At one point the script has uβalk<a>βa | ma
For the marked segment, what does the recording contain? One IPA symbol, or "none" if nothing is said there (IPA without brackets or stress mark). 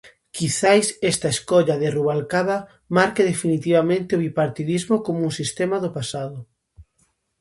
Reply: a